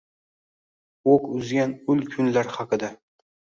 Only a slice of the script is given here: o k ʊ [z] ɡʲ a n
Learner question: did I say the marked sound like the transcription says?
yes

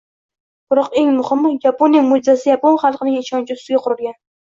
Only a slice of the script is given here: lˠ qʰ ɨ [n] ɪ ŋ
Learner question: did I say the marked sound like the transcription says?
yes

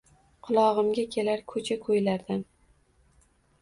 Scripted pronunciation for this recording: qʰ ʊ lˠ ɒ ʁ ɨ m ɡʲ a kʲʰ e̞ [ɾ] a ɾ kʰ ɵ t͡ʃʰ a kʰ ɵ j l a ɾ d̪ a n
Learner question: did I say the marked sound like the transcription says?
no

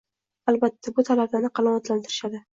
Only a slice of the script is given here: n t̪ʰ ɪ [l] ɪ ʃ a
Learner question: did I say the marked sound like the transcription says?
no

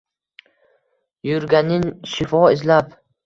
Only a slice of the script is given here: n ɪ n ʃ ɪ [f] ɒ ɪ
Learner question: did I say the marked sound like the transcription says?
yes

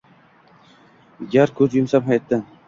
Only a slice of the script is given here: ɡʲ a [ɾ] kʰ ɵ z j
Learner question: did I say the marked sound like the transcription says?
yes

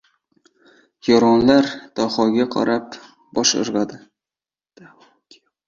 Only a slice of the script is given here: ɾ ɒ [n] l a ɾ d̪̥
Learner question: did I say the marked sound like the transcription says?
yes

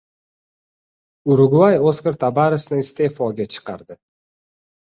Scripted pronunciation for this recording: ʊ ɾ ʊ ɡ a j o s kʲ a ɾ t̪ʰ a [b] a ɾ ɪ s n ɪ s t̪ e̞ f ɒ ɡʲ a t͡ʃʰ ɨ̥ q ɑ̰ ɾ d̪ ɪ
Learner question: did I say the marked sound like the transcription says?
yes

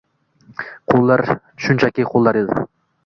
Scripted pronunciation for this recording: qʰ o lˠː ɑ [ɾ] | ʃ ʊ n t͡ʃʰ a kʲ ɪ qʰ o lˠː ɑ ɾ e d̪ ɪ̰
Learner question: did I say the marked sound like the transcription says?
yes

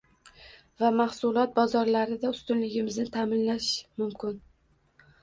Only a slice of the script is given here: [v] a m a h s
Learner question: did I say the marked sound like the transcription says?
yes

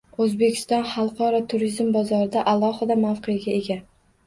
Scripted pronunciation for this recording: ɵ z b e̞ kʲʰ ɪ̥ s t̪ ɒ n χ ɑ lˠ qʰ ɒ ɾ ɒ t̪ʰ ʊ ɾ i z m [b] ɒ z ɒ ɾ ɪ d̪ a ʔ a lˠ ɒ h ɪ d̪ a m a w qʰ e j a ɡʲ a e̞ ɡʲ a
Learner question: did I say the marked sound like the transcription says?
yes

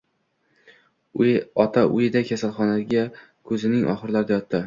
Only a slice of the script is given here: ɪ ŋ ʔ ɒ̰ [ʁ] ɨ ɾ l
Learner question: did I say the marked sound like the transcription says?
no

